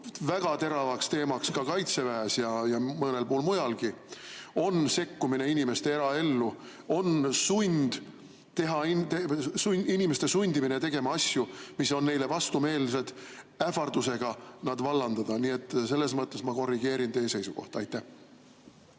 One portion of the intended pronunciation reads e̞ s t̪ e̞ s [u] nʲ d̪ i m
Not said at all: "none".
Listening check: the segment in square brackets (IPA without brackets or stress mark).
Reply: u